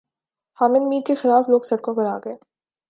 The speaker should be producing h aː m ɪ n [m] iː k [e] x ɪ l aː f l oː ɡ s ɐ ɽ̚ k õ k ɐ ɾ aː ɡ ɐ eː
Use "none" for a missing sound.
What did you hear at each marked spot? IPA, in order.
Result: m, e

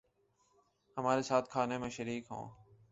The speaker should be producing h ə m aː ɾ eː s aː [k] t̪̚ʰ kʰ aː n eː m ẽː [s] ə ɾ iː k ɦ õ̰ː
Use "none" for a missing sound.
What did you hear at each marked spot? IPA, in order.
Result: none, ʃ

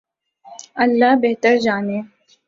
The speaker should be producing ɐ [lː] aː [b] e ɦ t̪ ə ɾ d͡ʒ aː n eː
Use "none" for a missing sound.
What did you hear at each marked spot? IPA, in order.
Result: lː, b

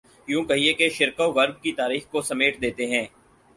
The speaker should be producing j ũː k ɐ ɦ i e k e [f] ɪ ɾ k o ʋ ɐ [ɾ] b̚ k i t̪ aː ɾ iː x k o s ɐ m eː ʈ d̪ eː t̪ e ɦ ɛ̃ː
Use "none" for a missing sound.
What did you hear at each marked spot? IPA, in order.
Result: ʃ, ɾ

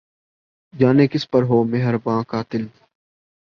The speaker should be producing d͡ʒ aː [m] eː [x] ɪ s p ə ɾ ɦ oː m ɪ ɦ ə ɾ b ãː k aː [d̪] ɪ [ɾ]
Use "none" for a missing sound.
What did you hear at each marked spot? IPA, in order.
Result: n, k, t̪, l

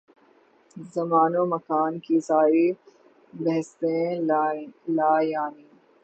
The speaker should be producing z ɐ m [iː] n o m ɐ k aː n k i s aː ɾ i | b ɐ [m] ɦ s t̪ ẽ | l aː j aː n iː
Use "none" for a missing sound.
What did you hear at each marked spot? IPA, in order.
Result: aː, none

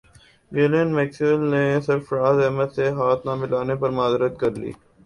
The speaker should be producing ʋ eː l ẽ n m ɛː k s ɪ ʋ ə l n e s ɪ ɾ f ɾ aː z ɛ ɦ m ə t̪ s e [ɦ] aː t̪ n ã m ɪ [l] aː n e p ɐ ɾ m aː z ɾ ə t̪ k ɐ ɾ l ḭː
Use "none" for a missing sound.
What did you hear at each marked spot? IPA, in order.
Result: ɦ, l

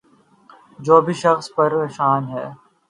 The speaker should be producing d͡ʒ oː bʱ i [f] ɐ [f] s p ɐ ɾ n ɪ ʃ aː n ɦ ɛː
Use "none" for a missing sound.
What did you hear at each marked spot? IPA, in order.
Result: ʃ, x

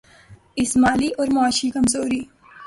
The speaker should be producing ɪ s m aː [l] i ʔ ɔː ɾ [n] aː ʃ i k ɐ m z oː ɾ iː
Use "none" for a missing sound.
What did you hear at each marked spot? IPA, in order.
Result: l, m

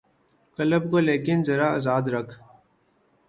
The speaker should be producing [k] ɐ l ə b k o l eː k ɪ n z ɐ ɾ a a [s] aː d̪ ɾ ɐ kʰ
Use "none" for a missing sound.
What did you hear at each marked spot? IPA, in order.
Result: k, z

